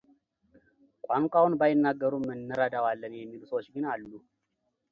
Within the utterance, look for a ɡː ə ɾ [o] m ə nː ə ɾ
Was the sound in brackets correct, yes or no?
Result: no